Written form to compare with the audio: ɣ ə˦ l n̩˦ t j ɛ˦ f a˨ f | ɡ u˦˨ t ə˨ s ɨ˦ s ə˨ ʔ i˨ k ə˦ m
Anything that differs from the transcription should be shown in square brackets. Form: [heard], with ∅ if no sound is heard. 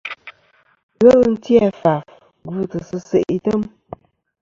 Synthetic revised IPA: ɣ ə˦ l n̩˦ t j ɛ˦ f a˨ f | ɡ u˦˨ t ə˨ s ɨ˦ s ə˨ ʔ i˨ [t] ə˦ m